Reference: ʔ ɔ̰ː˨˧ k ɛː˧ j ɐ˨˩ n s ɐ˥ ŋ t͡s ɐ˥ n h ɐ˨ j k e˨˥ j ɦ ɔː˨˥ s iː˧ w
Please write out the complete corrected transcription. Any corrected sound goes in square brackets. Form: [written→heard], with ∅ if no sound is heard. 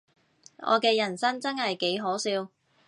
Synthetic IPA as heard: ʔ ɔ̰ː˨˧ k ɛː˧ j ɐ˨˩ n s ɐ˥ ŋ t͡s ɐ˥ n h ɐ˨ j k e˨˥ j ɦ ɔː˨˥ s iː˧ w